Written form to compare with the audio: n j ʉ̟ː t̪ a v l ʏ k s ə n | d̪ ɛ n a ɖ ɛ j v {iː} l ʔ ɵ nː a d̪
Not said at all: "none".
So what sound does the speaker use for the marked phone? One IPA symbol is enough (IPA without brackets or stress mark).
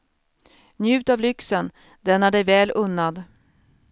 ɛː